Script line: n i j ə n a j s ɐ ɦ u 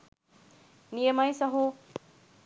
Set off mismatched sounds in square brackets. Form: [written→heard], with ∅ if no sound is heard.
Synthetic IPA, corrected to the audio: n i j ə [n→m] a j s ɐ ɦ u